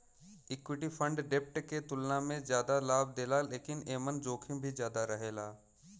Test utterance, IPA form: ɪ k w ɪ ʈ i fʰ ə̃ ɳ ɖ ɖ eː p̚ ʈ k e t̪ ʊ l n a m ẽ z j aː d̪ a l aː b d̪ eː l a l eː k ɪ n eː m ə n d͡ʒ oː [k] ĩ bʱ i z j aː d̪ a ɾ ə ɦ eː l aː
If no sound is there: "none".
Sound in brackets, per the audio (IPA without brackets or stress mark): kʰ